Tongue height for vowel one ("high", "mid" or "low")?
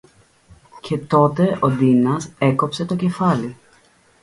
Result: mid